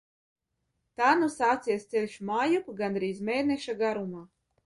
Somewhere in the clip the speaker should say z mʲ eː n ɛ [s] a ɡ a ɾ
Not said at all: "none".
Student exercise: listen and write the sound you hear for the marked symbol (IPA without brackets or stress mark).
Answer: ʃ